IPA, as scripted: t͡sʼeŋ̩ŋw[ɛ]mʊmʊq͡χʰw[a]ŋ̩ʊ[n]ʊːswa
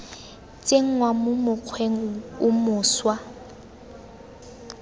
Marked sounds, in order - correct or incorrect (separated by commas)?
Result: incorrect, incorrect, incorrect